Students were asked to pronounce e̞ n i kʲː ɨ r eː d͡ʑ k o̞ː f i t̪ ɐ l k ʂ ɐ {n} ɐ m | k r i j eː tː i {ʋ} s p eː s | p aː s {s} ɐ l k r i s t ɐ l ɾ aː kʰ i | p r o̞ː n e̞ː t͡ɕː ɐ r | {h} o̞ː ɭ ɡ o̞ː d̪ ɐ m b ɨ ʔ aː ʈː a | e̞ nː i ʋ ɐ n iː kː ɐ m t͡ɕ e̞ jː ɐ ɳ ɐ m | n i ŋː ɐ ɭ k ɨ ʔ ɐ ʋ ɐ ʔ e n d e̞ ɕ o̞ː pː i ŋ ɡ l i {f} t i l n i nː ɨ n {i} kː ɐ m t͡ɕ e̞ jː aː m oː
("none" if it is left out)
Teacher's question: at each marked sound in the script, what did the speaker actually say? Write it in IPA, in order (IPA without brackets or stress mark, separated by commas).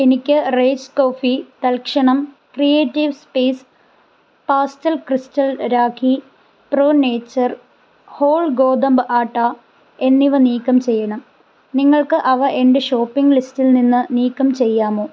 ɳ, ʋ, t, h, s, iː